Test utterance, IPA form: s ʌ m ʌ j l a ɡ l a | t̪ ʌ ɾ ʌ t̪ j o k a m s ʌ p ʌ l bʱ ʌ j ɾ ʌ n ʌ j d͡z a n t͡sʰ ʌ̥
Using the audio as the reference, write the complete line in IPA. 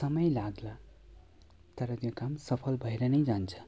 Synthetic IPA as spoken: s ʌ m ʌ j l a ɡ l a | t̪ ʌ ɾ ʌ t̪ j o k a m s ʌ pʰ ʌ l bʱ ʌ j ɾ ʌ n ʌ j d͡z a n t͡sʰ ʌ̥